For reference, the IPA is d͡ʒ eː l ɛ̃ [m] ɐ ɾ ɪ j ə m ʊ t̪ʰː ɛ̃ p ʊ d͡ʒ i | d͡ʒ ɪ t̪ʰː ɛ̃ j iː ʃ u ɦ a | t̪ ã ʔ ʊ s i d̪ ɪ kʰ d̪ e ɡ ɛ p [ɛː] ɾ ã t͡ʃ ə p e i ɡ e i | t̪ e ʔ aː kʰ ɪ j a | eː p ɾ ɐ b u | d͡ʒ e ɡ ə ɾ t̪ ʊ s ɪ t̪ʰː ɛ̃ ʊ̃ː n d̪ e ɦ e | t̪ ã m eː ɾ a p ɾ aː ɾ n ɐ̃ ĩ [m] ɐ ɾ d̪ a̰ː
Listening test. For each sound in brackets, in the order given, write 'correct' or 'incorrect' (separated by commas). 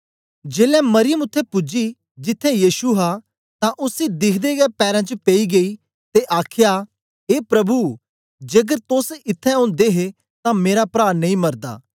correct, correct, correct